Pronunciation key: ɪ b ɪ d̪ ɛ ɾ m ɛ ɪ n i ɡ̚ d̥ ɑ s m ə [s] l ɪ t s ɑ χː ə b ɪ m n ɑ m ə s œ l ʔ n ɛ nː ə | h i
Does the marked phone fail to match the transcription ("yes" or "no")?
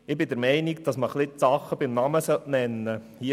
yes